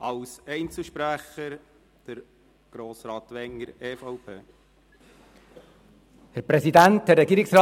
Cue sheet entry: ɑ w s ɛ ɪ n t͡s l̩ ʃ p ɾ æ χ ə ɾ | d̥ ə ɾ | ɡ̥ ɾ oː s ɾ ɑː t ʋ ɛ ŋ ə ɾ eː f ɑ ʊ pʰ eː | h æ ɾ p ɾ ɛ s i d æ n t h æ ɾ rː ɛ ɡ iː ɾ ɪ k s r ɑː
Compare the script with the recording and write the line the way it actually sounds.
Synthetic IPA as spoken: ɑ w s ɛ ɪ n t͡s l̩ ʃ p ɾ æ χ ə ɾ | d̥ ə ɾ | ɡ̥ ɾ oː s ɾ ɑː t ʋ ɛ ŋ ə ɾ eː f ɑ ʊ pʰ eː | h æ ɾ p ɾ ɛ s i d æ n t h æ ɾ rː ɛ ɡ iː ɾ ɪ k s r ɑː